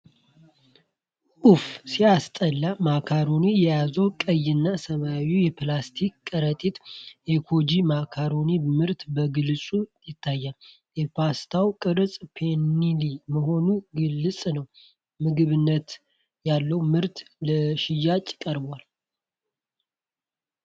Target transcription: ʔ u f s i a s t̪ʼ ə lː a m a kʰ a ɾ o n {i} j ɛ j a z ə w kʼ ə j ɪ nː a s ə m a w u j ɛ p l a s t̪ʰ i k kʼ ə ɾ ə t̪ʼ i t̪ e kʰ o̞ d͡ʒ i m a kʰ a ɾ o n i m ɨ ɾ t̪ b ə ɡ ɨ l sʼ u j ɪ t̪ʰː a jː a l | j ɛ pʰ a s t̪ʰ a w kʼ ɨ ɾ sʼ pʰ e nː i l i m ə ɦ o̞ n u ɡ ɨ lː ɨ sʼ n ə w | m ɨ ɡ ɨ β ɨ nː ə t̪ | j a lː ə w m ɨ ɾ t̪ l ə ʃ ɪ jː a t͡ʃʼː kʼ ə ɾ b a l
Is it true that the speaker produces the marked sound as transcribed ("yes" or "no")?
yes